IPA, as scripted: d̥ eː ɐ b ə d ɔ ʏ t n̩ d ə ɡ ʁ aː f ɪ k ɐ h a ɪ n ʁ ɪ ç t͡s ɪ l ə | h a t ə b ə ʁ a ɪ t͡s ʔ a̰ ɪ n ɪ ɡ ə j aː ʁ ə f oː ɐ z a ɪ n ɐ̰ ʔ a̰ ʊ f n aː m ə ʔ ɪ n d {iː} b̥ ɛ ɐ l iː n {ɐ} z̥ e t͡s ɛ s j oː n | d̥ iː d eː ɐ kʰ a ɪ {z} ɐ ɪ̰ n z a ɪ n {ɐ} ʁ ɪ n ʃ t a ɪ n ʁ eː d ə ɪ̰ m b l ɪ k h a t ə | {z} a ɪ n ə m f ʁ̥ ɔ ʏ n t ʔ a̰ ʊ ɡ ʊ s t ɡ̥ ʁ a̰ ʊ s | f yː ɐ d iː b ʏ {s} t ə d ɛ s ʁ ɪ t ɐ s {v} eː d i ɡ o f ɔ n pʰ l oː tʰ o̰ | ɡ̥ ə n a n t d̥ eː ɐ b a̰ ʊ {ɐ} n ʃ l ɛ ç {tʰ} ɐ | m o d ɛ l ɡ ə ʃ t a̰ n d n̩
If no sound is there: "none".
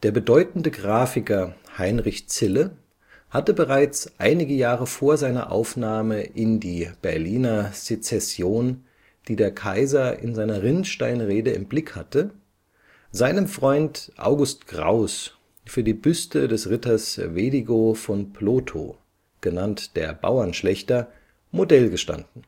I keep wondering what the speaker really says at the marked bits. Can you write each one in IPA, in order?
iː, ɐ, z, ɐ, z, s, v, ɐ, t

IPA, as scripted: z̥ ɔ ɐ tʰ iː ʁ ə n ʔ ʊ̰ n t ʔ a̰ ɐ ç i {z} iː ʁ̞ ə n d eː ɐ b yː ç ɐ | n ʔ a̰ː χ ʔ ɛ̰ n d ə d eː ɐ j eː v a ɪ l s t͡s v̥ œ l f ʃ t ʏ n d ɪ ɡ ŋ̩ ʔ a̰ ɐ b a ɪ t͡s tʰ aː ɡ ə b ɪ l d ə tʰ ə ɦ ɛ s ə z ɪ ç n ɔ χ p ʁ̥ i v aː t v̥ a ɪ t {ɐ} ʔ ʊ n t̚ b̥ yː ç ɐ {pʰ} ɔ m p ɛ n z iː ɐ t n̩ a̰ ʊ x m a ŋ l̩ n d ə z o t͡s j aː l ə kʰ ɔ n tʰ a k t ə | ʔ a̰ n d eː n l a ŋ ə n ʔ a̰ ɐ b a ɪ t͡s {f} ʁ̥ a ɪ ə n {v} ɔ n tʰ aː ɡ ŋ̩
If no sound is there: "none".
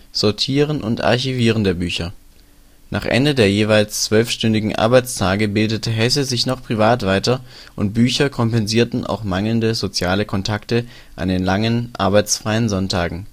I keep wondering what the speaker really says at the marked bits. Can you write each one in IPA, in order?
v, ɐ, kʰ, f, z

